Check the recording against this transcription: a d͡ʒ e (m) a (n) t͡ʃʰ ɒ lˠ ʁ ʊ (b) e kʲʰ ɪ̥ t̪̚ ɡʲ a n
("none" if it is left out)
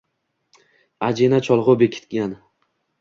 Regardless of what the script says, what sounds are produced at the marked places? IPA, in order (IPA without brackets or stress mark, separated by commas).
n, none, b